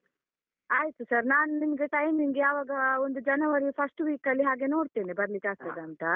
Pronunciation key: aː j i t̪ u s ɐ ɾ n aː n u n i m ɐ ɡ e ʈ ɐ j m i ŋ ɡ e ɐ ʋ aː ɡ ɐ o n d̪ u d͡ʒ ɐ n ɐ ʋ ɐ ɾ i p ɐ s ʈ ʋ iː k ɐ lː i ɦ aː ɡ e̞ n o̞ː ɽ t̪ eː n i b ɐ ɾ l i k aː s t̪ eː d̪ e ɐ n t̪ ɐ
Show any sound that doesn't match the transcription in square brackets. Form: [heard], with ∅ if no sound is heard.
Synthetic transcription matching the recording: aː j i t̪ u s ɐ ɾ n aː n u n i m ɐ ɡ e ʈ ɐ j m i ŋ ɡ e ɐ ʋ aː ɡ ɐ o n d̪ u d͡ʒ ɐ n ɐ ʋ ɐ ɾ i [pʰ] ɐ s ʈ ʋ iː k ɐ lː i ɦ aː ɡ e̞ n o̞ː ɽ t̪ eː n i b ɐ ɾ l i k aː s t̪ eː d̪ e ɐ n t̪ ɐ